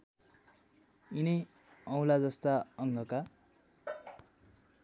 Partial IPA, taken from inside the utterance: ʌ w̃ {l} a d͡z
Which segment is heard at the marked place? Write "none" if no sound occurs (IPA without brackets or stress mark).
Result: l